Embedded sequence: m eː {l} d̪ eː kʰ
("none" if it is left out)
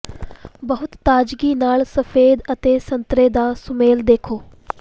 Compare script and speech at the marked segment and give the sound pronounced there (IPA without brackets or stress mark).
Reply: l